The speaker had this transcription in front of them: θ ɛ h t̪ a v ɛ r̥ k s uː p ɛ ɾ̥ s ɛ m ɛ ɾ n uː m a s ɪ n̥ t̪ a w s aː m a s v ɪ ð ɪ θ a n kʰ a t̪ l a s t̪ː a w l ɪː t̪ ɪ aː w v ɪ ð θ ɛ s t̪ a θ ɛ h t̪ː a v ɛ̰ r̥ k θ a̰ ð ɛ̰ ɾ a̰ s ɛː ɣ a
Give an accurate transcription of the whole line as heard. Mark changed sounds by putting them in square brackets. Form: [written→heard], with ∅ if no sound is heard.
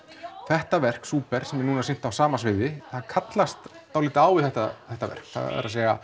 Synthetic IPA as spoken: θ ɛ h t̪ a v ɛ r̥ k s uː p ɛ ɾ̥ s ɛ m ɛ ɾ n uː [m→n] a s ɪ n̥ t̪ a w s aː m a s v ɪ ð ɪ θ a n kʰ a t̪ l a s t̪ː a w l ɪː t̪ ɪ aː w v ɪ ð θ ɛ [s→h] t̪ a θ ɛ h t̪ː a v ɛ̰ r̥ k θ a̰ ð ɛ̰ ɾ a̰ s ɛː ɣ a

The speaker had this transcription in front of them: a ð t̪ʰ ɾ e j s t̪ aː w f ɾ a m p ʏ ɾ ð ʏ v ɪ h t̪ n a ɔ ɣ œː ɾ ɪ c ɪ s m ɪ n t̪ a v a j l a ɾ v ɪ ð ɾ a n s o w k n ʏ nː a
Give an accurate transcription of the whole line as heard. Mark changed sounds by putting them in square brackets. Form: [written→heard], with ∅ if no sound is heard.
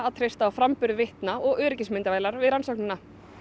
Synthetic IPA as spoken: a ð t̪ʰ ɾ e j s t̪ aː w f ɾ a m p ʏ ɾ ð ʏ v ɪ h t̪ n a ɔ ɣ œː ɾ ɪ c ɪ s m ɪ n t̪ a v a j l a ɾ v ɪ ð ɾ a n s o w k n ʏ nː a

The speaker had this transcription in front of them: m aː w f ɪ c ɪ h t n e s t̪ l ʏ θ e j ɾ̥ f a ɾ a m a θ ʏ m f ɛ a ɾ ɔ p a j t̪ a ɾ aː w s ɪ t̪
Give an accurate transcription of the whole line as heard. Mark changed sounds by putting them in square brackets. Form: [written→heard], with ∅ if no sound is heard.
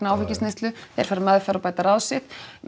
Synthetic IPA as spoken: [m→n] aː w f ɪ c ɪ [h→s] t n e s t̪ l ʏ θ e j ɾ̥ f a ɾ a m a [θ→ð] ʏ [m→∅] f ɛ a ɾ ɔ p a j t̪ a ɾ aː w s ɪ t̪

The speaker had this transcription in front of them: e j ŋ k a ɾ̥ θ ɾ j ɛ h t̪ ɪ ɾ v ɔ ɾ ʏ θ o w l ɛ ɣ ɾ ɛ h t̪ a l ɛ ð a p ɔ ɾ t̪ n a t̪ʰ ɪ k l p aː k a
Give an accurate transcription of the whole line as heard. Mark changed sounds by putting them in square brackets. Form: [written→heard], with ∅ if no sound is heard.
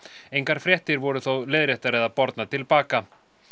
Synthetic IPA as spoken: e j ŋ k a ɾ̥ [θ→f] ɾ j ɛ h t̪ ɪ ɾ v ɔ ɾ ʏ θ o w l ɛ [ɣ→ð] ɾ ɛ h t̪ a [l→ɾ] ɛ ð a p ɔ ɾ t̪ n a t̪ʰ ɪ [k→∅] l p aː k a

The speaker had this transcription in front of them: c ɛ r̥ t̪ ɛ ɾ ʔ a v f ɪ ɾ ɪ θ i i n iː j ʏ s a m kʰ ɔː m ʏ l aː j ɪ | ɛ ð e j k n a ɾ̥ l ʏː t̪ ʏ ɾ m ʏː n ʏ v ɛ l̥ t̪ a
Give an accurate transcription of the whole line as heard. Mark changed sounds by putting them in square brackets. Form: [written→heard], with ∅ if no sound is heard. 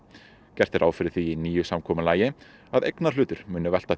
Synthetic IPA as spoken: c ɛ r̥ t̪ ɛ ɾ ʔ a [v→w] f ɪ ɾ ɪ θ i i n iː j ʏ s a m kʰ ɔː m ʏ l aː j ɪ | [ɛ→a] ð e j k n a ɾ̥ l ʏː t̪ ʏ ɾ m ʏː n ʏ v ɛ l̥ t̪ a

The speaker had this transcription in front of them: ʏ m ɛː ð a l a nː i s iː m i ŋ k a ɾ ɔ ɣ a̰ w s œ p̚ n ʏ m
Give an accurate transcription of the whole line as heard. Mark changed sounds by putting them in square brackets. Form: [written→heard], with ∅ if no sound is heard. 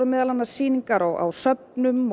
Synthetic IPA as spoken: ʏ m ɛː ð a l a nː [i→a] s iː [m→n] i ŋ k a ɾ ɔ ɣ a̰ w s œ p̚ n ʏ m

